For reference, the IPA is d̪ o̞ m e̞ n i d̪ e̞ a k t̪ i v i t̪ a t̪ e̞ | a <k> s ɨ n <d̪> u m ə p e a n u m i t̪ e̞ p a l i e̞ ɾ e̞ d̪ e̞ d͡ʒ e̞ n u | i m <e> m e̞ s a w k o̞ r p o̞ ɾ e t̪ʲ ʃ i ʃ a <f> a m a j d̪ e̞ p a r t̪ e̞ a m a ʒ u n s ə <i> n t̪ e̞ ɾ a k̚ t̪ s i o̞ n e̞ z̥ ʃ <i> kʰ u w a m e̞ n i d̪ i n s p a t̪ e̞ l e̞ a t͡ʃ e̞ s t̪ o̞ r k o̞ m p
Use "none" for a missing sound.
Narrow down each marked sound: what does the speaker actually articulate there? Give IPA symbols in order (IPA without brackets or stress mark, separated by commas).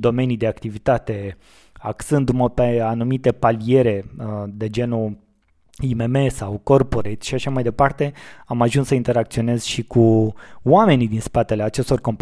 k, d̪, e, ʃ, i, i